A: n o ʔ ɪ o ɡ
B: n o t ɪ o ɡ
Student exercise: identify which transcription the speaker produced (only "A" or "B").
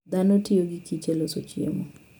B